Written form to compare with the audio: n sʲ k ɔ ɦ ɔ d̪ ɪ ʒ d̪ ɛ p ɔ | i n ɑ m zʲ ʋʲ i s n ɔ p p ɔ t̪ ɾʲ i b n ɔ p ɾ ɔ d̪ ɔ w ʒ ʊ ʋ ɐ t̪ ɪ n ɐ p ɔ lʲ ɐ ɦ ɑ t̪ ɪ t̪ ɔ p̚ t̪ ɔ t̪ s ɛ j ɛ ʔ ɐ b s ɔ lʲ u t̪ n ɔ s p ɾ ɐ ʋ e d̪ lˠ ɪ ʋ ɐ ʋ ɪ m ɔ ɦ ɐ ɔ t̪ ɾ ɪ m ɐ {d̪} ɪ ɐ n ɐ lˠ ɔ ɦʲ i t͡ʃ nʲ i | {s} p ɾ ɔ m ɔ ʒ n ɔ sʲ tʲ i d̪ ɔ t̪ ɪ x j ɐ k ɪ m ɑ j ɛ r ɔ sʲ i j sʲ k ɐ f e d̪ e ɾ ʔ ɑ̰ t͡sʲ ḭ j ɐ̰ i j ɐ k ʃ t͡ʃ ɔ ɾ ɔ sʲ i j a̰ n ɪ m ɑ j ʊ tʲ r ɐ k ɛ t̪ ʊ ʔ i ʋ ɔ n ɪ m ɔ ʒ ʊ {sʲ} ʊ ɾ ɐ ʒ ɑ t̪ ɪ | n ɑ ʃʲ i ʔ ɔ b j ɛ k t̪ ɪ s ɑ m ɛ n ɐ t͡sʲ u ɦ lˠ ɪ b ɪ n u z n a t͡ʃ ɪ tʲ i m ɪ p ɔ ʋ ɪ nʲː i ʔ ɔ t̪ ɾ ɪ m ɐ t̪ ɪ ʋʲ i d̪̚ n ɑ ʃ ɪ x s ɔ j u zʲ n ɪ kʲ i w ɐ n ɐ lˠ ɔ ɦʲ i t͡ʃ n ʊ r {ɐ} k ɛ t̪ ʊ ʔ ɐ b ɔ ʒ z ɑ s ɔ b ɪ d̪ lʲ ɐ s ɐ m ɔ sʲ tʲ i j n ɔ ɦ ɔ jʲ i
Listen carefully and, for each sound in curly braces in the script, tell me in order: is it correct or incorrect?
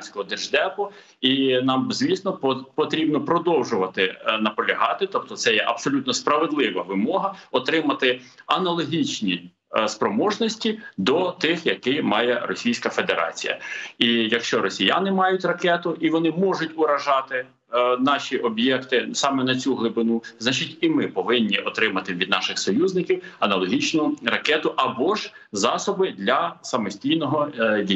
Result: incorrect: t̪, correct, incorrect: tʲ, correct

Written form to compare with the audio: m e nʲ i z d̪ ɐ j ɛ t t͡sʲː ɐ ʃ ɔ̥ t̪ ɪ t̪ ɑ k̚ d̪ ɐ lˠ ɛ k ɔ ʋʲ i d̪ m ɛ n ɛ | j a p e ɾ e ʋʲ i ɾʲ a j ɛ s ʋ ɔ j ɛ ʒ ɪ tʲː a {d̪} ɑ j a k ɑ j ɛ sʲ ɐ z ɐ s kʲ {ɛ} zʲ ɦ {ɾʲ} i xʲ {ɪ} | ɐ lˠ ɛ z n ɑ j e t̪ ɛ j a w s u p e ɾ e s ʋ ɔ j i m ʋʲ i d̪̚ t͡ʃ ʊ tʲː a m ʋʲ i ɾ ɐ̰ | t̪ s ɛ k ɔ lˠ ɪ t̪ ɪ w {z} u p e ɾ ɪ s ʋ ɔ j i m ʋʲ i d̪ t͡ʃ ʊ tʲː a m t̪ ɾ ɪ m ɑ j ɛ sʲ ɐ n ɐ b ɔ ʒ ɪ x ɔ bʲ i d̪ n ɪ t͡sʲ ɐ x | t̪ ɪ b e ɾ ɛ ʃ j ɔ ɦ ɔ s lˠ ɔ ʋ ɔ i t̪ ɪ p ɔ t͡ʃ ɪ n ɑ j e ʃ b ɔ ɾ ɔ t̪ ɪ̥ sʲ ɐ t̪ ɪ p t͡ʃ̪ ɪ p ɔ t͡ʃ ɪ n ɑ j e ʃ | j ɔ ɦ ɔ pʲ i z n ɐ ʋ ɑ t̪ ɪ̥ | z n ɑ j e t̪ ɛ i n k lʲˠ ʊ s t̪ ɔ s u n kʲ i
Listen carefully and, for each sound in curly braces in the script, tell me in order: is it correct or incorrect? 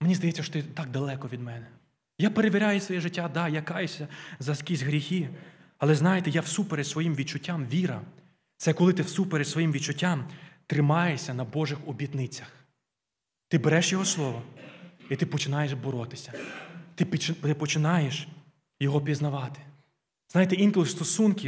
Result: correct, incorrect: i, correct, incorrect: i, incorrect: s

